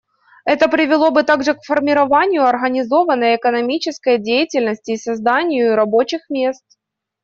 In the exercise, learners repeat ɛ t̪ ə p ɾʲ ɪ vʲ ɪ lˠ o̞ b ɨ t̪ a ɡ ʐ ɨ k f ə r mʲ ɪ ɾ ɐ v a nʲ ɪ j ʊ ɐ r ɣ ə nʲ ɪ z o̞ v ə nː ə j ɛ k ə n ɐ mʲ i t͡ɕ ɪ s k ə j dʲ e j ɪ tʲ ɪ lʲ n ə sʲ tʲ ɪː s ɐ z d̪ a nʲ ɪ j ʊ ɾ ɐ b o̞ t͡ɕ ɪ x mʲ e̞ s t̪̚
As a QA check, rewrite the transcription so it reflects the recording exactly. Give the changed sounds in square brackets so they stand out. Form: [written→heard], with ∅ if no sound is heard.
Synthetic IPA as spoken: ɛ t̪ ə p ɾʲ ɪ vʲ ɪ lˠ o̞ b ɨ t̪ a ɡ ʐ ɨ k f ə r mʲ ɪ ɾ ɐ v a nʲ ɪ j ʊ ɐ r ɣ ə nʲ ɪ z o̞ v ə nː ə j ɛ k ə n ɐ mʲ i t͡ɕ ɪ s k ə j dʲ e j ɪ tʲ ɪ lʲ n ə sʲ tʲ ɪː s ɐ z d̪ a nʲ ɪ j ʊ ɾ ɐ b o̞ t͡ɕ ɪ x mʲ e̞ s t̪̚